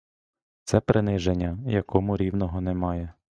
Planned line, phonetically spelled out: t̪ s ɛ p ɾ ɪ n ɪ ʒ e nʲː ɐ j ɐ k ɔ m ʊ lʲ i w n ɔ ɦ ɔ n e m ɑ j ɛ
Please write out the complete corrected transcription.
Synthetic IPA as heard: t̪ s ɛ p ɾ ɪ n ɪ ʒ e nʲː ɐ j ɐ k ɔ m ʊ ɾʲ i w n ɔ ɦ ɔ n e m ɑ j ɛ